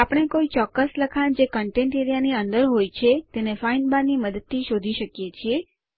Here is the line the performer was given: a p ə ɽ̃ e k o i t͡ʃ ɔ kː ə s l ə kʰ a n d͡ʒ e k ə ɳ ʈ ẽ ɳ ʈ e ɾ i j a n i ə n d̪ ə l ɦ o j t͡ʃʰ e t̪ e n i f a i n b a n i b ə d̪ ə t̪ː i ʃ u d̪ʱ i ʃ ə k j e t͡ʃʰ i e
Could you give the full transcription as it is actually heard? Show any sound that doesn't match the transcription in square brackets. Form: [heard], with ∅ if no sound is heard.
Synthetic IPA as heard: a p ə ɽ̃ e k o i t͡ʃ ɔ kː ə s l ə kʰ a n d͡ʒ e k ə ɳ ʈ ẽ ɳ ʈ e ɾ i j a n i ə n d̪ ə [ɾ] ɦ o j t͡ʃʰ e t̪ e n [e] f a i n b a n i [m] ə d̪ ə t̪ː i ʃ [o] d̪ʱ i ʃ ə k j e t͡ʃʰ i e